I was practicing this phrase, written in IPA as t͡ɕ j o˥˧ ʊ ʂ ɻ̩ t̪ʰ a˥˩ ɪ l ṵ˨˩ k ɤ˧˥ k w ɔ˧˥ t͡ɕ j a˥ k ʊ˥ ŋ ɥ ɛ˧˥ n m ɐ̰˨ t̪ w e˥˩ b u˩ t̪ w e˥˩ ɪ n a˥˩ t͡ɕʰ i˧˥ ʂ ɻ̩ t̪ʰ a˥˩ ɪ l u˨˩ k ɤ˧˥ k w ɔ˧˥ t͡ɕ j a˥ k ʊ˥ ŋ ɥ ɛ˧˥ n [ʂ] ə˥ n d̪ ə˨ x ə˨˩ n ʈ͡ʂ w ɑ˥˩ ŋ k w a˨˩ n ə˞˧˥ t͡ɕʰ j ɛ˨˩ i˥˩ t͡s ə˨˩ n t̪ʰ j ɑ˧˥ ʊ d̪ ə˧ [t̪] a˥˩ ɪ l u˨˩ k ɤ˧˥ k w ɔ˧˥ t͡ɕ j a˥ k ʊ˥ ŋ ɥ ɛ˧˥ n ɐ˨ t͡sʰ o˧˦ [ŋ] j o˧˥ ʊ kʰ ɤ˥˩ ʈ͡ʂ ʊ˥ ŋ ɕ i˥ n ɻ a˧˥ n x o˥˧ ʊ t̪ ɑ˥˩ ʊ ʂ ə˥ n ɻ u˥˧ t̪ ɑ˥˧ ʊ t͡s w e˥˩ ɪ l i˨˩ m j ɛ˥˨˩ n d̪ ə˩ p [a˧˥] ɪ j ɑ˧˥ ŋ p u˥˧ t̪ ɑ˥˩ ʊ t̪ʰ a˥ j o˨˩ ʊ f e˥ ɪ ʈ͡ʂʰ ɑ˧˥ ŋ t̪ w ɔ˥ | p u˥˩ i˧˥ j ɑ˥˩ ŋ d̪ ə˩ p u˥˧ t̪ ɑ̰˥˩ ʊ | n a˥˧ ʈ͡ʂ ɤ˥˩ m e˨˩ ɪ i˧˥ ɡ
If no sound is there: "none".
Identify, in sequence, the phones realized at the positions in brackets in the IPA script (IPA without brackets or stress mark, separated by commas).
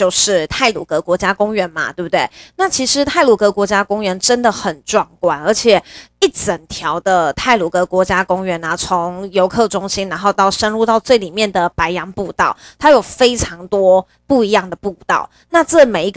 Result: ʈ͡ʂ, t̪ʰ, ŋ, a˧˥